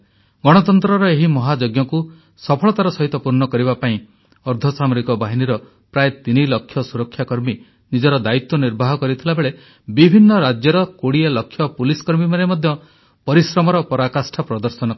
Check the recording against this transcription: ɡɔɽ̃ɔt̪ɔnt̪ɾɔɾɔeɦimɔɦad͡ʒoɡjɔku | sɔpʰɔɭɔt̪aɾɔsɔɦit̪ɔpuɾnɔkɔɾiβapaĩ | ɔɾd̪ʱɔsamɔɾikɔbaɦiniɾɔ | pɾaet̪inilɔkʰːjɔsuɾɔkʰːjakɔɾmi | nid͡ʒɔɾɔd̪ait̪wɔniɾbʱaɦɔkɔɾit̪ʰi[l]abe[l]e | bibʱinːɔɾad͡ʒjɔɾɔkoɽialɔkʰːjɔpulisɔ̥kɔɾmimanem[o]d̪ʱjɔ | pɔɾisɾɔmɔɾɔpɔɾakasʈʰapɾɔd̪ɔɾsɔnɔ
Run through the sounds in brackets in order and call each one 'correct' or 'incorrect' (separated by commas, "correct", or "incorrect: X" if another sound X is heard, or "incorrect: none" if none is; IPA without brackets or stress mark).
correct, incorrect: ɭ, incorrect: ɔ